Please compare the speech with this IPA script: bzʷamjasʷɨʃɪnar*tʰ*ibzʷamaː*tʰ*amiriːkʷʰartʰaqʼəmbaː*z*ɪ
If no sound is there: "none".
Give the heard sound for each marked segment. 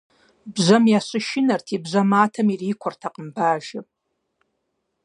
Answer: tʰ, tʰ, ʒ

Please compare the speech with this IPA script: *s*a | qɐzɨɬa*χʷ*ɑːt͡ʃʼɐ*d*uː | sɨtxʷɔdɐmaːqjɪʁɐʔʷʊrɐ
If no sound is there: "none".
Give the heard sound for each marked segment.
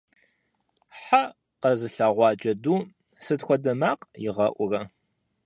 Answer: ħ, ʁʷ, d

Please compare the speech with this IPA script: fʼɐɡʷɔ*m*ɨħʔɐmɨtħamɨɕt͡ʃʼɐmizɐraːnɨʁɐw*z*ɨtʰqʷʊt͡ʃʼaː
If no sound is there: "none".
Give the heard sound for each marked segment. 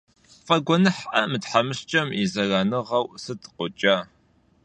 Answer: n, s

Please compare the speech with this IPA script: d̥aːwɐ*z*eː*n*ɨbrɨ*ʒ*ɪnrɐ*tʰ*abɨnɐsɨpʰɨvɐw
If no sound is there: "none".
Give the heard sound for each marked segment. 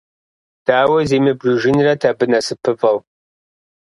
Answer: z, m, ʒ, tʰ

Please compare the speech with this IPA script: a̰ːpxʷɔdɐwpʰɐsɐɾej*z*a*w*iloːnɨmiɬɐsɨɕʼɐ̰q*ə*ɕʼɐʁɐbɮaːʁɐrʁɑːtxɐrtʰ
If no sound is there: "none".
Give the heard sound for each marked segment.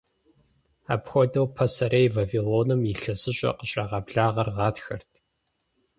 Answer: v, v, ə

